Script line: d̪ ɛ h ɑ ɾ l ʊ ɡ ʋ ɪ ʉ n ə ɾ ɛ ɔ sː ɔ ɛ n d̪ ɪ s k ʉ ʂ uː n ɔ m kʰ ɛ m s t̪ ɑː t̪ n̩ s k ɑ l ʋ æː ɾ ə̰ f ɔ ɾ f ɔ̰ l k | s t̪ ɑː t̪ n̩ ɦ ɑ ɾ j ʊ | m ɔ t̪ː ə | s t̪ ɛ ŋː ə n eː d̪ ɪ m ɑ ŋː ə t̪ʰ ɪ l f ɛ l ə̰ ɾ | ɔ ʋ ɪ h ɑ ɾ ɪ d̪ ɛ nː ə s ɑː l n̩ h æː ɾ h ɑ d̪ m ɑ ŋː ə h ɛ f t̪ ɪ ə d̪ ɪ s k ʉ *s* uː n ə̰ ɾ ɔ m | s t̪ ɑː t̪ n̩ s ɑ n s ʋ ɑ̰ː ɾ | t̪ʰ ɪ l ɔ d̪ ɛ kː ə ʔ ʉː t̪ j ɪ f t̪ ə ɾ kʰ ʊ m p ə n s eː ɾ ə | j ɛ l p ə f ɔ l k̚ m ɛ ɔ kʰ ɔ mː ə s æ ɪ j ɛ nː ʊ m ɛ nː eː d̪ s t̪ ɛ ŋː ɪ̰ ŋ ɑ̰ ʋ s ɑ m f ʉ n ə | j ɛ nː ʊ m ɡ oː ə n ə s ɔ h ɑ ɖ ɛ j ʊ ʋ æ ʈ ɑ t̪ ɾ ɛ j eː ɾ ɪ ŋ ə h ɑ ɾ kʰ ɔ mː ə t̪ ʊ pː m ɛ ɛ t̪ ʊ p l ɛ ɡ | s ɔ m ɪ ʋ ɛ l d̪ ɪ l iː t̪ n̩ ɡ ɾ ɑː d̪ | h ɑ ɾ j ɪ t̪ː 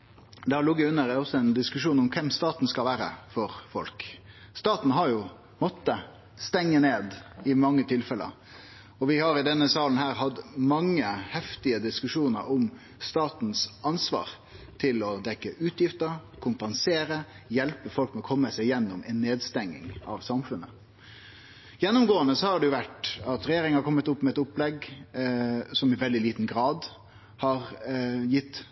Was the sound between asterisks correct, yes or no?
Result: no